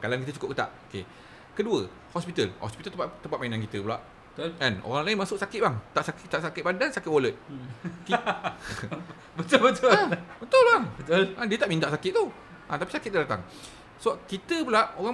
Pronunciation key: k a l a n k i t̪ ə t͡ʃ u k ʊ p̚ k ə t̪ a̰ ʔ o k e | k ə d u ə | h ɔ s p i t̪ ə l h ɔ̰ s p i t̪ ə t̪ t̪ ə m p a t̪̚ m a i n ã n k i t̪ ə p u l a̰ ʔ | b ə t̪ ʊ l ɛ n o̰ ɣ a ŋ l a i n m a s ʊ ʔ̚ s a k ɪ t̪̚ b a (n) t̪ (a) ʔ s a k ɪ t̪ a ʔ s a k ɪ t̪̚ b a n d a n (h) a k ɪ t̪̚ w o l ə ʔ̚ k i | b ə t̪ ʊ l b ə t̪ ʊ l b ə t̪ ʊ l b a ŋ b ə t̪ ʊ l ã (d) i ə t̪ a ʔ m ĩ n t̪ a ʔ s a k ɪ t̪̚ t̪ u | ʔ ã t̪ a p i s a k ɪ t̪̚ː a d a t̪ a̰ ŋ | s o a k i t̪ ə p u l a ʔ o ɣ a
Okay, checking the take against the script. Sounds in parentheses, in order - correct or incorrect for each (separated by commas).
incorrect, correct, incorrect, correct